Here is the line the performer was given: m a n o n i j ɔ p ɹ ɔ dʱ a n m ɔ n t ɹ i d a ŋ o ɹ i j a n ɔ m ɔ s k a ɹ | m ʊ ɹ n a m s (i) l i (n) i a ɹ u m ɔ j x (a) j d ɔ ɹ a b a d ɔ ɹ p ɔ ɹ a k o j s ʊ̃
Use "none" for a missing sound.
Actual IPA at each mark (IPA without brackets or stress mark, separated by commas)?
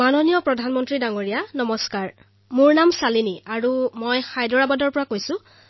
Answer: a, n, a